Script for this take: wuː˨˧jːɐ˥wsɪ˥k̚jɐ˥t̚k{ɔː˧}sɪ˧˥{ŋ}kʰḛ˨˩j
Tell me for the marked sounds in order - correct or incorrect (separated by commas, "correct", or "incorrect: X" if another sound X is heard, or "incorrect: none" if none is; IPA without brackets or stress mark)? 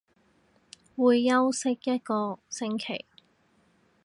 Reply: correct, correct